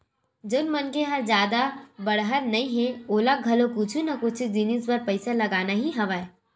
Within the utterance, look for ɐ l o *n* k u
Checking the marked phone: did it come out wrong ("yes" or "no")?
yes